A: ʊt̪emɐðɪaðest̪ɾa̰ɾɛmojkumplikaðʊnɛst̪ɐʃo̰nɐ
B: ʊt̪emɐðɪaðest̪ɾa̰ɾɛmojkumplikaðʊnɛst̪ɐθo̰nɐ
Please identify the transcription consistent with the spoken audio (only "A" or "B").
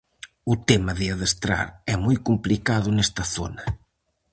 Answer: B